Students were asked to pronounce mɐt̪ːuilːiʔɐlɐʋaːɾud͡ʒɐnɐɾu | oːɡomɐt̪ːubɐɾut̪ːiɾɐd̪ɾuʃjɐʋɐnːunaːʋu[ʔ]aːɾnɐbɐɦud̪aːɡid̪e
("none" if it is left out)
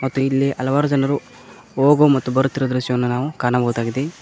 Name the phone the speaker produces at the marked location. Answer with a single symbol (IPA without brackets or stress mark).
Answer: k